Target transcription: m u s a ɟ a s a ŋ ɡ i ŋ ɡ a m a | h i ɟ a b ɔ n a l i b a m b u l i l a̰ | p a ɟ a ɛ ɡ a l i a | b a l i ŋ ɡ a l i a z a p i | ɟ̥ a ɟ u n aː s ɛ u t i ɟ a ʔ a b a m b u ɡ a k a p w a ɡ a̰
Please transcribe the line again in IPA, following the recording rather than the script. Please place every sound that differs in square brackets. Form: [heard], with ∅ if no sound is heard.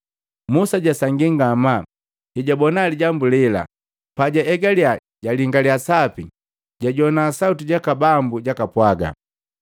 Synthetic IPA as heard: m u s a ɟ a s a ŋ ɡ i ŋ ɡ a m a | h i ɟ a b ɔ n a l i [ɟ] a m b u l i l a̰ | p a ɟ a ɛ ɡ a l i a | [ɟ] a l i ŋ ɡ a l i a [s] a p i | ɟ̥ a ɟ [ɔ] n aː s [a] u t i ɟ a [k] a b a m b u [ɟ] a k a p w a ɡ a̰